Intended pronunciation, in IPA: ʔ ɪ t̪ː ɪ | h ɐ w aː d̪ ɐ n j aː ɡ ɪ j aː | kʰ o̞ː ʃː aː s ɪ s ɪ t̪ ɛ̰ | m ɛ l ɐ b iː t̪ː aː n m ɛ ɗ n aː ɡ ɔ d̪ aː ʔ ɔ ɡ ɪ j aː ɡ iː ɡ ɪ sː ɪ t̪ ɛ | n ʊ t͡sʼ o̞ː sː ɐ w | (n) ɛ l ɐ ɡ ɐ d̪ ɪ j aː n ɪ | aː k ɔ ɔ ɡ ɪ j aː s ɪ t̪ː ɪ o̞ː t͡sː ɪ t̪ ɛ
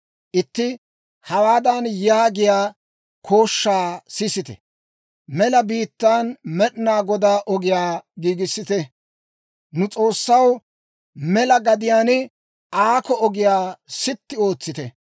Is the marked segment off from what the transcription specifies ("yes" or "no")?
yes